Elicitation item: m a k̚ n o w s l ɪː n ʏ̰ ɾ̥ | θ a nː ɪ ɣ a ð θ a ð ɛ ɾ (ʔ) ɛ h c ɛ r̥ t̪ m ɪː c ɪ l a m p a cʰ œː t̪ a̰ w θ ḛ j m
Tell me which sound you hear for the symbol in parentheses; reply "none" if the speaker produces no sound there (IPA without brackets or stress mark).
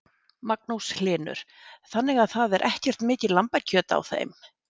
ʔ